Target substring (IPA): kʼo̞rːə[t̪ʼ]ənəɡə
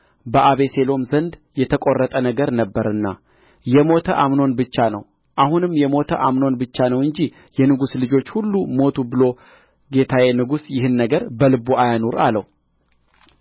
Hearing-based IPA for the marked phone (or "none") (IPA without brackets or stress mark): t̪ʼ